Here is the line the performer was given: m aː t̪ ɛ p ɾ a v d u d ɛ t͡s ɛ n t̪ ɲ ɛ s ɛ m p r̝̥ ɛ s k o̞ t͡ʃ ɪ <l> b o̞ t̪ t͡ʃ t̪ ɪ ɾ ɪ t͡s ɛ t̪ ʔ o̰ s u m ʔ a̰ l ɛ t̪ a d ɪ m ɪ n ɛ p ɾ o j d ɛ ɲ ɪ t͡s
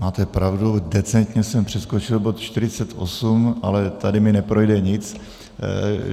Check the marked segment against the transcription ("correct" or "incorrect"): correct